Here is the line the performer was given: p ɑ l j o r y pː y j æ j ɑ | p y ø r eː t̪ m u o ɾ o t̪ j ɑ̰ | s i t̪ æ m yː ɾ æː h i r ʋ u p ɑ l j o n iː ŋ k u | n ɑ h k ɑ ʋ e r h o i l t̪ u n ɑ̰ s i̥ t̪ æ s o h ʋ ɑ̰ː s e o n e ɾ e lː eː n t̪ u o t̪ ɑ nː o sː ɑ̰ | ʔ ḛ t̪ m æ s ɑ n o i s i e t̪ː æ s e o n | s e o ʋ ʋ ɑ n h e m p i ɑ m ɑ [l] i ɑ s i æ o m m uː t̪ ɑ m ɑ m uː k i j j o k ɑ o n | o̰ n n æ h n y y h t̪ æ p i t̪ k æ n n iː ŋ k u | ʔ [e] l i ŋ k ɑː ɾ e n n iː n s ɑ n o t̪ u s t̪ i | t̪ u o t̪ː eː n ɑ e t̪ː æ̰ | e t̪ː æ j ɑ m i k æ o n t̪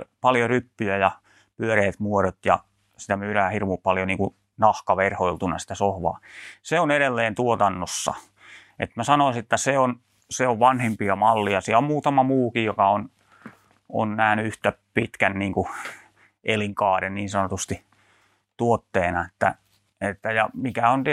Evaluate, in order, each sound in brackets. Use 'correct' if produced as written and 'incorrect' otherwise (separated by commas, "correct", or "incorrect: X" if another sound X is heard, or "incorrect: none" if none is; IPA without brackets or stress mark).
incorrect: lː, correct